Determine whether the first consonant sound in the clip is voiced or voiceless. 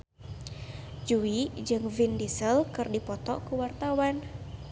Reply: voiced